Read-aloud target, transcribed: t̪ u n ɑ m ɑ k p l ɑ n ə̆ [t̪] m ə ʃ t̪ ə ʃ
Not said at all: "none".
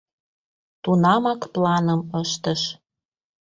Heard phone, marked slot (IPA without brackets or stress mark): none